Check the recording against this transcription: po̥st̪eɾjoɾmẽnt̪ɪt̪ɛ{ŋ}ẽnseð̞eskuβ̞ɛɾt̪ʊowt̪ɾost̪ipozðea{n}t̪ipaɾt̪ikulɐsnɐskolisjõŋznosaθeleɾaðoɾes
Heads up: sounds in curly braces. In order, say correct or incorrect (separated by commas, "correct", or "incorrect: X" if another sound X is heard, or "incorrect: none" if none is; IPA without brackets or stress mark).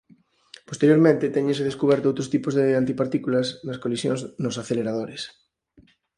incorrect: ɲ, correct